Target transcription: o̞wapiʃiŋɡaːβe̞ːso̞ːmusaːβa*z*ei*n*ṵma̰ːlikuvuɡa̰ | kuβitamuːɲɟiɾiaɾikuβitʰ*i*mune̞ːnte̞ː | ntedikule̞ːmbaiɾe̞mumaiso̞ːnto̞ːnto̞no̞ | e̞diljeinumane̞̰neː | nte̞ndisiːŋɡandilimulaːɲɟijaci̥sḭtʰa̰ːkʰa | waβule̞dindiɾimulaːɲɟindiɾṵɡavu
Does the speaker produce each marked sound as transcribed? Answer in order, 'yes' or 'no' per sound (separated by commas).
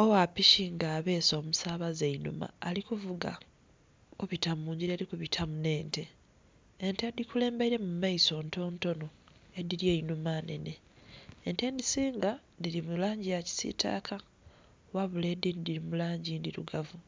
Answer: yes, yes, no